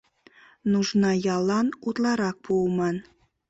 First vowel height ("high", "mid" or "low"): high